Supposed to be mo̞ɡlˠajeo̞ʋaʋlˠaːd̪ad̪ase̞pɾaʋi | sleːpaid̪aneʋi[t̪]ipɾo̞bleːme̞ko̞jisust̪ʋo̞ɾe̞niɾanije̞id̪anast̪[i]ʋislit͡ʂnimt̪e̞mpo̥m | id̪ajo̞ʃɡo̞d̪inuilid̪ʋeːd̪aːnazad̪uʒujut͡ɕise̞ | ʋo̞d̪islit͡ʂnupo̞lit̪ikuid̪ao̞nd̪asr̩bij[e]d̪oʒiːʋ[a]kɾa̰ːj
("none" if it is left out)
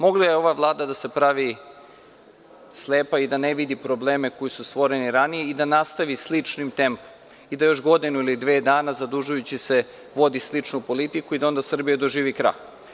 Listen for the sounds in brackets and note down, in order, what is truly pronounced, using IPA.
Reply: d̪, a, a, i

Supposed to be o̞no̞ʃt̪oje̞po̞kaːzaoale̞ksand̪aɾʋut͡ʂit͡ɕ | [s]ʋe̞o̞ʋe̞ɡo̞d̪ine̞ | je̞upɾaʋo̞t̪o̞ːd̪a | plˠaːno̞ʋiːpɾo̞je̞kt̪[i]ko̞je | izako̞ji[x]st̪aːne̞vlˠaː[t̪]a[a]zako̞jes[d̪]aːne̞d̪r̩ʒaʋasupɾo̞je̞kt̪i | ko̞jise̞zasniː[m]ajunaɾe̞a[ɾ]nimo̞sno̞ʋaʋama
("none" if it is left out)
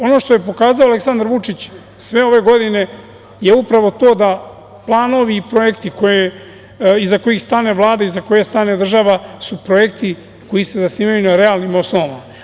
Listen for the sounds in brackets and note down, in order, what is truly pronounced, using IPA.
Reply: s, i, x, d̪, i, t̪, m, l

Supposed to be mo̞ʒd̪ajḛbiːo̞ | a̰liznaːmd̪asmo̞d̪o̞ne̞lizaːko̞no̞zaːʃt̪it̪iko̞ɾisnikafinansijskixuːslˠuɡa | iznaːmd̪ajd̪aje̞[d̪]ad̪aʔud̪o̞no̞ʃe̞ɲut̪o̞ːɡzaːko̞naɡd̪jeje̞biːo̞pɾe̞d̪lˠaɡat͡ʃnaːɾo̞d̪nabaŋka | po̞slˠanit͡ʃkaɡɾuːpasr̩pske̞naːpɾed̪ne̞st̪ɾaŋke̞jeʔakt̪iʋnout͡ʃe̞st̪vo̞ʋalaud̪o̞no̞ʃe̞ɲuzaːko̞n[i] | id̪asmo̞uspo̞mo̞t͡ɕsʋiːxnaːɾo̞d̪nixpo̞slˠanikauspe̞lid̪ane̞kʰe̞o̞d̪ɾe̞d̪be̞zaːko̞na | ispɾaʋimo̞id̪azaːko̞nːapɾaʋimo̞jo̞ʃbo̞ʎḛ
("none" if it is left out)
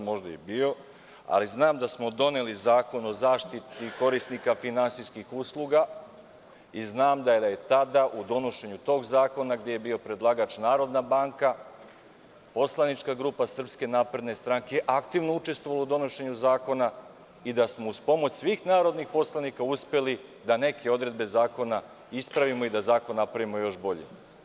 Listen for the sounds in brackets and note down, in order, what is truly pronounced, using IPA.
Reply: t̪, a

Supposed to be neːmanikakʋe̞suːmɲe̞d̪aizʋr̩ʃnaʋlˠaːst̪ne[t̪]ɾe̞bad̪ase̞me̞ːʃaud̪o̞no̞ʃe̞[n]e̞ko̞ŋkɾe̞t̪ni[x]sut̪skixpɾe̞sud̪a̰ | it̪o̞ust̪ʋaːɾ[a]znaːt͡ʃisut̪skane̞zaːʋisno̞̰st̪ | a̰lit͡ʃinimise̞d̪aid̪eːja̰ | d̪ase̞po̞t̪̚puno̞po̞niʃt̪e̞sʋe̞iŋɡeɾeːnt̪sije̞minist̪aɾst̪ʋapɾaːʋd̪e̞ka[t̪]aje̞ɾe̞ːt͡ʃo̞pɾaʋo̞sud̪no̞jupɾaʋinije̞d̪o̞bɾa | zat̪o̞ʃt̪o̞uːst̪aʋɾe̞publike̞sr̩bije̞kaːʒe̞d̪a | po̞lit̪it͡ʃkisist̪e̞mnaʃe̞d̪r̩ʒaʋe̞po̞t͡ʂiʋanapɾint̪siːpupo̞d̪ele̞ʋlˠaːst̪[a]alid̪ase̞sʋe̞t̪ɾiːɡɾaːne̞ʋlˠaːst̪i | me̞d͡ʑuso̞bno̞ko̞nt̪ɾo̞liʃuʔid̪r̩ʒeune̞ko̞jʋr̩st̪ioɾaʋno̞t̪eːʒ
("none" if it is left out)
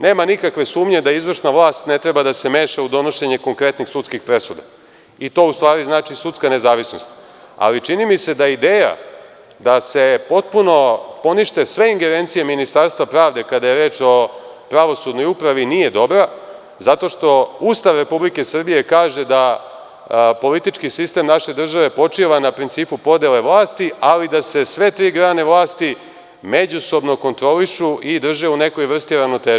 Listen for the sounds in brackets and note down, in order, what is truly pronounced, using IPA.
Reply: t̪, ɲ, x, i, d̪, i

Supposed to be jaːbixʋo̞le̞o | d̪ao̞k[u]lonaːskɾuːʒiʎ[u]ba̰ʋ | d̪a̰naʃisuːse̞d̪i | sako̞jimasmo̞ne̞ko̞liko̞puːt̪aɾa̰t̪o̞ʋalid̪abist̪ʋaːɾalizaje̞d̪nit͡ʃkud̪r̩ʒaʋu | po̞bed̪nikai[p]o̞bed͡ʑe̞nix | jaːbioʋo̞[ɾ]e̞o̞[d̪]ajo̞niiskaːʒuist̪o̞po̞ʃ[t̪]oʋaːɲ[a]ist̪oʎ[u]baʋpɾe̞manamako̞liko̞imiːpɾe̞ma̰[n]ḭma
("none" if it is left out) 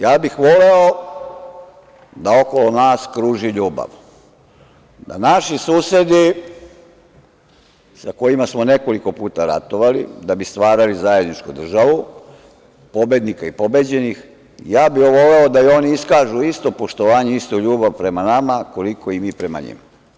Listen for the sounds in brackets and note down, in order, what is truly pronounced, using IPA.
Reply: o, uː, p, l, d̪, t̪, e, uː, ɲ

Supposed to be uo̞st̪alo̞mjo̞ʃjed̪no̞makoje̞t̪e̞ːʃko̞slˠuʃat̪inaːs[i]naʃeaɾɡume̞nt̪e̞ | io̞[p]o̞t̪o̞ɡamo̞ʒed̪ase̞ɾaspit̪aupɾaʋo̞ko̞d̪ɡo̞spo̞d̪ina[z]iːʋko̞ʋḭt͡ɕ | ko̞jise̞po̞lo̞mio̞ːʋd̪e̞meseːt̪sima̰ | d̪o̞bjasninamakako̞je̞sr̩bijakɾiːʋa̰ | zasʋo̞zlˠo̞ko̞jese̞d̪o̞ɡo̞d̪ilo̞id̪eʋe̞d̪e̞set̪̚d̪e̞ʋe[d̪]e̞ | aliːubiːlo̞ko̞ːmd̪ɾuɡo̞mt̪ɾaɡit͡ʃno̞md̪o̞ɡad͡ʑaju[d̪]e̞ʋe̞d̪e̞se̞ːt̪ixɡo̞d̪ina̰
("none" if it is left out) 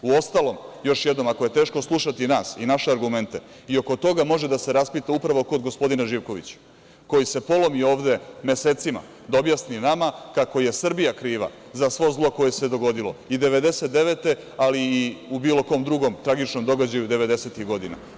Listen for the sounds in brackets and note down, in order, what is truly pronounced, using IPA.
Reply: i, k, ʒ, t̪, d̪

